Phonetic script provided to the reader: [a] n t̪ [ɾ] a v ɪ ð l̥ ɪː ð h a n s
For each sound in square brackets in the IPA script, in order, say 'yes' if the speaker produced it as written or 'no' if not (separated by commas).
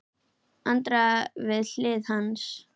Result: yes, yes